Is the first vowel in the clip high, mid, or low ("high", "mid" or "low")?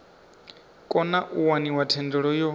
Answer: mid